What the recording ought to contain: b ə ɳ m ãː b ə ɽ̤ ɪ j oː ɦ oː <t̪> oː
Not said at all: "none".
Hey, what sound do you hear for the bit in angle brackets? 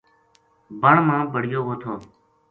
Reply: t̪ʰ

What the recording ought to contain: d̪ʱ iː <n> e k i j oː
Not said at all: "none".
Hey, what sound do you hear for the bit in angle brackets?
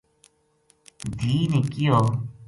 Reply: n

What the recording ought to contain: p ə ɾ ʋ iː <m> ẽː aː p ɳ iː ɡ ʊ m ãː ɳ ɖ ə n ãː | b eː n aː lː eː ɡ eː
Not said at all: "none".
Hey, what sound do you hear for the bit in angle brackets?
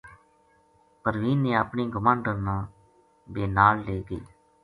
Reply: n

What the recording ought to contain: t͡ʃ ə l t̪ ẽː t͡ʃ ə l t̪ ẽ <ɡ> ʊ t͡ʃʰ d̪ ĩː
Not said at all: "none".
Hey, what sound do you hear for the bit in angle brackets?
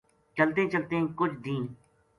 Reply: k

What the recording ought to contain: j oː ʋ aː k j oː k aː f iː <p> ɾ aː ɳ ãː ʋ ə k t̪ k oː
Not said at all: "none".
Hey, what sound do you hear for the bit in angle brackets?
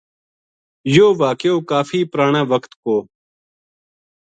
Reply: p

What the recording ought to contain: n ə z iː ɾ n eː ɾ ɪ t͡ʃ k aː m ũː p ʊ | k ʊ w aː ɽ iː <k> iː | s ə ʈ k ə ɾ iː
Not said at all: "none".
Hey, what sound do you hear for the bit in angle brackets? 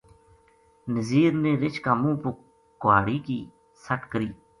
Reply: k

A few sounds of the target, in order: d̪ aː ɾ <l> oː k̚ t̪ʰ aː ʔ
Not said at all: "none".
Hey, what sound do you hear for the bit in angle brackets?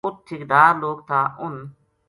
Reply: l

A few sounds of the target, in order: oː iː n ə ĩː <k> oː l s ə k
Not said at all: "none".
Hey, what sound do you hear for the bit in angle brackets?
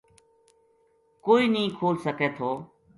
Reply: kʰ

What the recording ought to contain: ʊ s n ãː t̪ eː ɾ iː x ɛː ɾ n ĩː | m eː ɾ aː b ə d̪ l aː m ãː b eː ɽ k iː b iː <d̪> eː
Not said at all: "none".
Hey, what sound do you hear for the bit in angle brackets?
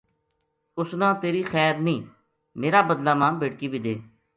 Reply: d̪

